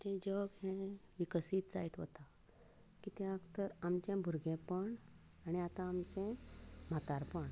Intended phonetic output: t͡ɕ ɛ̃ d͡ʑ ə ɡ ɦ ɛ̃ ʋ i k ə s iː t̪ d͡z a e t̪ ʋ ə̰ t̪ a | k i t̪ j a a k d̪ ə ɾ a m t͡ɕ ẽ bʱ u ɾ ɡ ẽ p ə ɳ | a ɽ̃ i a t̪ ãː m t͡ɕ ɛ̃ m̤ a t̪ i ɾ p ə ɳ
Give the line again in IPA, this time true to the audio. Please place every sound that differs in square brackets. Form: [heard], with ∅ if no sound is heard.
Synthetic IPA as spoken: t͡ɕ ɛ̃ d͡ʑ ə ɡ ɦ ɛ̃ ʋ i k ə s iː t̪ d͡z a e t̪ ʋ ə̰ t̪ a | k i t̪ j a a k [t̪] ə ɾ a m t͡ɕ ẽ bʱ u ɾ ɡ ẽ p ə ɳ | a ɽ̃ i a t̪ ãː m t͡ɕ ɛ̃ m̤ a t̪ [a] ɾ p ə ɳ